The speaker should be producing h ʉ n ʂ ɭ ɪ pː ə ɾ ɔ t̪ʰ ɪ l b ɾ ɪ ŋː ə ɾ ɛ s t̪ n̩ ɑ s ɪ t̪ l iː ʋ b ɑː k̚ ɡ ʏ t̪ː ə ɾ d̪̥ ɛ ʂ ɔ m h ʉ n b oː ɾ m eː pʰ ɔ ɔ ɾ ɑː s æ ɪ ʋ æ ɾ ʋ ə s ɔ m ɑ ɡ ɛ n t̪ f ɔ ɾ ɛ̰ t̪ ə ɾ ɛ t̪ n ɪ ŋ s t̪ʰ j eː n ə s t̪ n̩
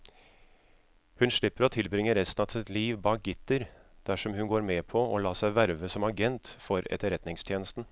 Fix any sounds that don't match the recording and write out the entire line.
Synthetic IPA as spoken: h ʉ n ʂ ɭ ɪ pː ə ɾ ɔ t̪ʰ ɪ l b ɾ ɪ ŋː ə ɾ ɛ s t̪ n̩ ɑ s ɪ t̪ l iː ʋ b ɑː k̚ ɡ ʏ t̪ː ə ɾ d̪̥ æ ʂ ɔ m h ʉ n ɡ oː ɾ m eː pʰ ɔ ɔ l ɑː s æ ɪ ʋ æ ɾ ʋ ə s ɔ m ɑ ɡ ɛ n t̪ f ɔ ɾ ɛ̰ t̪ ə ɾ ɛ t̪ n ɪ ŋ s t̪ʰ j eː n ə s t̪ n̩